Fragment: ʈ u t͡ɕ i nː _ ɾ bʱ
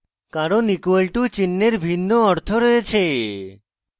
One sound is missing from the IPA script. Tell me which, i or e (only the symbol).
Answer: e